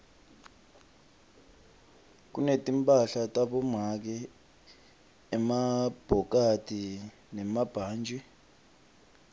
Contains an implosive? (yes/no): yes